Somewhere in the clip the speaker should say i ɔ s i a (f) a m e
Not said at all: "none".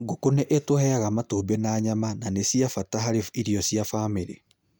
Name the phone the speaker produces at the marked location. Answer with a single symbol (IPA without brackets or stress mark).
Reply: f